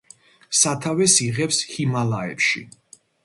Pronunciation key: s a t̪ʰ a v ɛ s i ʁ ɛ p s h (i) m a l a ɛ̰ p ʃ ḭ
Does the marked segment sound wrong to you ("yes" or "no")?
no